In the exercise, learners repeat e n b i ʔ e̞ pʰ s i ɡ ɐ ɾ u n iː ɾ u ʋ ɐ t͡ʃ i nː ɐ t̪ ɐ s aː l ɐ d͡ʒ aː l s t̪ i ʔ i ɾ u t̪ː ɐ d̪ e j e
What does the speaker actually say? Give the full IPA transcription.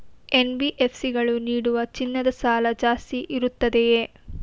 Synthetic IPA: e n b i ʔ e̞ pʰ s i ɡ ɐ ɭ u n iː ɽ u ʋ ɐ t͡ʃ i nː ɐ d̪ ɐ s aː l ɐ d͡ʒ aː s t̪ i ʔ i ɾ u t̪ː ɐ d̪ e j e